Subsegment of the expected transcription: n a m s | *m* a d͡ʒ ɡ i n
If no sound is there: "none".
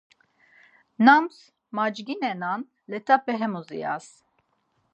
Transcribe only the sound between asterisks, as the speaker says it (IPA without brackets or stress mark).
m